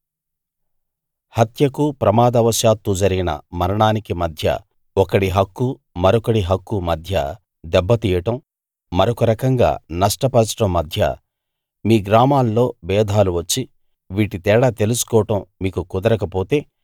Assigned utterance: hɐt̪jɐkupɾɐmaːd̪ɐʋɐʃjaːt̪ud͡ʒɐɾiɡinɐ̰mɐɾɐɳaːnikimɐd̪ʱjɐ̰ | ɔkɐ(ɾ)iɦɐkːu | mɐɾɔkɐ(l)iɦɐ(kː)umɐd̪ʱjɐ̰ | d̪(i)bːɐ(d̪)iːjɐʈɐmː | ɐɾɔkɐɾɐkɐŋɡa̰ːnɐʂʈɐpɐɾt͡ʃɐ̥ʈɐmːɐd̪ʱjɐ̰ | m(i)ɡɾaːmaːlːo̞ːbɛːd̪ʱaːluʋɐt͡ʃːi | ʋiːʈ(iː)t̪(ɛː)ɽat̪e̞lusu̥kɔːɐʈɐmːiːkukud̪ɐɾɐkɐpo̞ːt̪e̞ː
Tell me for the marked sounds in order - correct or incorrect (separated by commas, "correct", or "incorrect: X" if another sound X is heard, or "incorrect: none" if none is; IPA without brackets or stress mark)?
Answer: incorrect: ɽ, incorrect: ɽ, correct, incorrect: ɛ, incorrect: t̪, incorrect: iː, incorrect: i, correct